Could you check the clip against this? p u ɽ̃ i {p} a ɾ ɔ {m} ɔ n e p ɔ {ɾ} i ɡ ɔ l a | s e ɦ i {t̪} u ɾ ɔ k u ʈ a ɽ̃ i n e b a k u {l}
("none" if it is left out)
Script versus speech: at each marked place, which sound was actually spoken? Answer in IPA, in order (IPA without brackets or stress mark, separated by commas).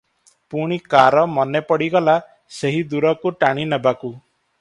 k, m, ɽ, d̪, none